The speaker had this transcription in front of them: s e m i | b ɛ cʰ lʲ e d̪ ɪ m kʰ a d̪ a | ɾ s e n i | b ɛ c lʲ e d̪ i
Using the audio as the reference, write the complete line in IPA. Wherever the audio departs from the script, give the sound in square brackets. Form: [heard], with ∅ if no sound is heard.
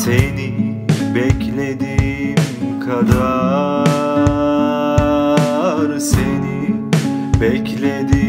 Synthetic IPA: s e [n] i | b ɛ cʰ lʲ e d̪ [i] m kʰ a d̪ a | ɾ s e n i | b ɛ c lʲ e d̪ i

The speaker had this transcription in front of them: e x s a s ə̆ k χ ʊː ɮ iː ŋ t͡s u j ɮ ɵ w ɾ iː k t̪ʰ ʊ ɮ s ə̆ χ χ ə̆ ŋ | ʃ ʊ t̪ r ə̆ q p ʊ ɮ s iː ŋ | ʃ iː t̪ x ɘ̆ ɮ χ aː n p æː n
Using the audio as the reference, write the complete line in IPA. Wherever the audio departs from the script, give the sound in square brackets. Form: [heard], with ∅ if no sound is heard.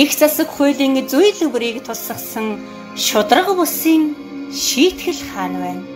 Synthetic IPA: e x [t͡s] a s ə̆ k χ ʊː ɮ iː ŋ t͡s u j ɮ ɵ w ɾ iː k t̪ʰ ʊ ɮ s ə̆ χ [s] ə̆ ŋ | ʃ ʊ t̪ r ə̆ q p ʊ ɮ s iː ŋ | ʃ iː t̪ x ɘ̆ ɮ χ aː n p æː n

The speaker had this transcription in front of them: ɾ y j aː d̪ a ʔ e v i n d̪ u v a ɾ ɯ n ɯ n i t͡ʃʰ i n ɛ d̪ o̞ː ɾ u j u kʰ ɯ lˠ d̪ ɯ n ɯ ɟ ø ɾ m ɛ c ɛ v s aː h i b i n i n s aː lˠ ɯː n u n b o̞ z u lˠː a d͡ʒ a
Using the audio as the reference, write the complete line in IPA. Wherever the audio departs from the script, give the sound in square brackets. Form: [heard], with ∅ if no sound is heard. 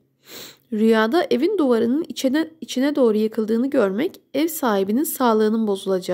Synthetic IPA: ɾ y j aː d̪ a ʔ e v i n d̪ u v a ɾ ɯ n ɯ n i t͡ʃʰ i n ɛ d̪ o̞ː ɾ u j [ɯ] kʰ ɯ lˠ d̪ [ɯː] n ɯ ɟ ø ɾ m ɛ c ɛ v s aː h i b i n i n s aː lˠ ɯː n [ɯ] n b o̞ z u [lˠ] a d͡ʒ a

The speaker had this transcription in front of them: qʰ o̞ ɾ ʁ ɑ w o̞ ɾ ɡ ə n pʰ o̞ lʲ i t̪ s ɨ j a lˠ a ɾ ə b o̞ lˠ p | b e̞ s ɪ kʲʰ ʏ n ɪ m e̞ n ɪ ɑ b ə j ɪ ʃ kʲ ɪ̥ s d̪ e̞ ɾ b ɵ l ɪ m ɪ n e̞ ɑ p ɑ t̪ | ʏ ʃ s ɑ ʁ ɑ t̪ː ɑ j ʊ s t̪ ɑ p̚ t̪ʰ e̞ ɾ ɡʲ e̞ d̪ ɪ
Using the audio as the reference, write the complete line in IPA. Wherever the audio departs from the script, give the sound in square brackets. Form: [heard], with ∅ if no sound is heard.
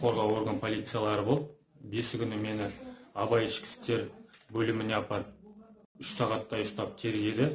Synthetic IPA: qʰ o̞ ɾ ʁ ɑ w o̞ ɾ ɡ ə n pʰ o̞ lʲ i t̪ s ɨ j a lˠ [ɑ] ɾ ə b o̞ lˠ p | b e̞ s ɪ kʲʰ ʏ n ɪ m e̞ n ɪ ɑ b [ɑ] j ɪ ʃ kʲ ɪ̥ s [t̪] e̞ ɾ b ɵ l ɪ m ɪ n e̞ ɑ p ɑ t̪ | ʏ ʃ s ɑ ʁ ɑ t̪ː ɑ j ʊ s t̪ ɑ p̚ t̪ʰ e̞ ɾ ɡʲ e̞ d̪ ɪ

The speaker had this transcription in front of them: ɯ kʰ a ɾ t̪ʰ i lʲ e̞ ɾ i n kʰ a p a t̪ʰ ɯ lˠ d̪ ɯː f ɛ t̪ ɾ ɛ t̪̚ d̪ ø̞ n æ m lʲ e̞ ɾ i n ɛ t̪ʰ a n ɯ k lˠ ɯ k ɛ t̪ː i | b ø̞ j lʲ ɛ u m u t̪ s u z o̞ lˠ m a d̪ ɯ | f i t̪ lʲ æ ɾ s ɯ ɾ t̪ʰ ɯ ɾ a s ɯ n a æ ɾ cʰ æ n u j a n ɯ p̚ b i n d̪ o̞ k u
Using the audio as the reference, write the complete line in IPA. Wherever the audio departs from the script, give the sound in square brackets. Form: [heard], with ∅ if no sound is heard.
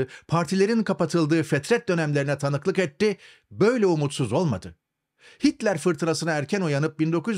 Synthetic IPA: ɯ [pʰ] a ɾ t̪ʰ i lʲ e̞ ɾ i n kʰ a p a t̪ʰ ɯ lˠ d̪ ɯː f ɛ t̪ ɾ ɛ t̪̚ d̪ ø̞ n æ m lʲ e̞ ɾ i n ɛ t̪ʰ a n ɯ k lˠ ɯ k ɛ t̪ː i | b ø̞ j lʲ ɛ u m u t̪ s u z o̞ lˠ m a d̪ ɯ | [h] i t̪ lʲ æ ɾ [f] ɯ ɾ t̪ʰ ɯ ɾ a s ɯ n a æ ɾ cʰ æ n u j a n ɯ p̚ b i n d̪ o̞ k u

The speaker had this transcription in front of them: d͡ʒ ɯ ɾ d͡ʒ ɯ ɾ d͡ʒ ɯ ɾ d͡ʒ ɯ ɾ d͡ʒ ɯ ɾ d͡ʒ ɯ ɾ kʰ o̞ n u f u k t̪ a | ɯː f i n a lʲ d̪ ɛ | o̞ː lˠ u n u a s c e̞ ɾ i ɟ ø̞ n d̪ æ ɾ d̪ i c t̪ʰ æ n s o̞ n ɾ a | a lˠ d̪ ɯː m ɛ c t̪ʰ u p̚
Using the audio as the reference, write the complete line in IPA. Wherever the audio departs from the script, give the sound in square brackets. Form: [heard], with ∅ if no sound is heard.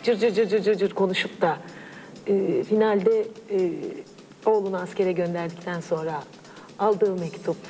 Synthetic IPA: d͡ʒ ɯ ɾ d͡ʒ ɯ ɾ d͡ʒ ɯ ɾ d͡ʒ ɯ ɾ d͡ʒ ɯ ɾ d͡ʒ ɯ ɾ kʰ o̞ n u [ʃ] u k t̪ a | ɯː f i n a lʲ d̪ ɛ | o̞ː lˠ u n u a s c e̞ ɾ [ɛ] ɟ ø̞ n d̪ æ ɾ d̪ i c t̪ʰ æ n s o̞ n ɾ a | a lˠ d̪ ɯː m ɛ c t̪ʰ u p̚

